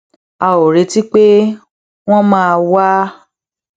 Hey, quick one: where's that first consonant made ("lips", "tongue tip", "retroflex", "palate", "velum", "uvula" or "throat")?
tongue tip